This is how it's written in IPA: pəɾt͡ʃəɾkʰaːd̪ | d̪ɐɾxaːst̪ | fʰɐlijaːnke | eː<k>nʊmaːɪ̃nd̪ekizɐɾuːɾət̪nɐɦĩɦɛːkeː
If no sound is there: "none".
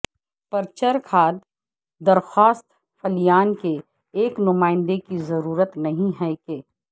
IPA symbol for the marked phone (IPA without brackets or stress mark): k